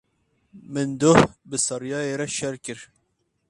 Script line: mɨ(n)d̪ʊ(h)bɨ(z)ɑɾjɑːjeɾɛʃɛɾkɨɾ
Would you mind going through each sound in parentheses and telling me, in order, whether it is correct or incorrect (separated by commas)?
correct, correct, incorrect